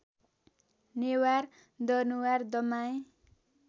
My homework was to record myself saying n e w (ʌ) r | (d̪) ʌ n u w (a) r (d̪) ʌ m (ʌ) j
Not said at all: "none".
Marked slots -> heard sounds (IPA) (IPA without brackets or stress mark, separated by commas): a, d̪, a, d̪, a